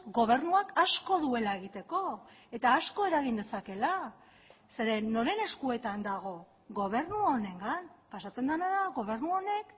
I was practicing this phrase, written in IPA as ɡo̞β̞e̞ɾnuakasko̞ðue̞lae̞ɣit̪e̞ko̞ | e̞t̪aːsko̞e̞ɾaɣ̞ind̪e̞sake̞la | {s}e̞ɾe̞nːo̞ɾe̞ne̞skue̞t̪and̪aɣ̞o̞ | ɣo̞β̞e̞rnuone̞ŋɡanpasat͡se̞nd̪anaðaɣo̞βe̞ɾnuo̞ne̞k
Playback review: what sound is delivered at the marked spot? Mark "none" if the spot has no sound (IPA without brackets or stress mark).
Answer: s